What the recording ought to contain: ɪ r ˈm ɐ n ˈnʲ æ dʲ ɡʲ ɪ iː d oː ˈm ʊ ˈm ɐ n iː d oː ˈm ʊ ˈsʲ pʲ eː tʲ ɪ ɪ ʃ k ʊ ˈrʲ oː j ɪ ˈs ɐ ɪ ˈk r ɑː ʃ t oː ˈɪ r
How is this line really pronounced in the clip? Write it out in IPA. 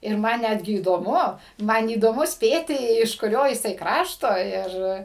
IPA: ɪ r ˈm ɐ n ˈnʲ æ dʲ ɡʲ ɪ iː d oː ˈm ʊ ˈm ɐ n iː d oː ˈm ʊ ˈsʲ pʲ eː tʲ ɪ ɪ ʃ k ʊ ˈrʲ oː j ɪ ˈs ɐ ɪ ˈk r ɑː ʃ t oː ˈɪ r